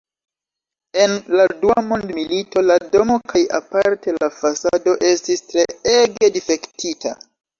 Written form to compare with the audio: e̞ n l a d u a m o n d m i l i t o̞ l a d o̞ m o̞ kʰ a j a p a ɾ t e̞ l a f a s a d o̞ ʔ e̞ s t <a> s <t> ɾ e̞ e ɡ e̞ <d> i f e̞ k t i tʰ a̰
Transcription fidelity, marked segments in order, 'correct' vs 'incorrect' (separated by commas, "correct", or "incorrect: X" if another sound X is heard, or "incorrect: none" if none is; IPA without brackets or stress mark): incorrect: i, correct, correct